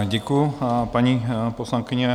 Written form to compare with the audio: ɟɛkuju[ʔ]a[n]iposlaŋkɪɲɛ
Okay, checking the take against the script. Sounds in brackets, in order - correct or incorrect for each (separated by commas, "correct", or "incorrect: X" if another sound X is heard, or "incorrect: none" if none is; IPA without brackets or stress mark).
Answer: incorrect: p, incorrect: ɲ